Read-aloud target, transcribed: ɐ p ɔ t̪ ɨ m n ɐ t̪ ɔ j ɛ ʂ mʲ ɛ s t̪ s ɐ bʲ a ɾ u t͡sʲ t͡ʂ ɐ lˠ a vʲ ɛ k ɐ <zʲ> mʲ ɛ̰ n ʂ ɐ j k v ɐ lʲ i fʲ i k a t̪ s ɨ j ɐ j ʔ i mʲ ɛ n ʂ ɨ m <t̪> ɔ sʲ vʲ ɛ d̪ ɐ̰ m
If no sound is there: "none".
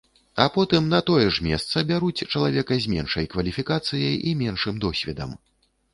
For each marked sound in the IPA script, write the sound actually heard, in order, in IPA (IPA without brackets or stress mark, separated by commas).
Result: zʲ, d̪